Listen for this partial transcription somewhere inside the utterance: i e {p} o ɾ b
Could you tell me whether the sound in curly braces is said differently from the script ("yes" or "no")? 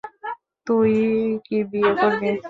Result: yes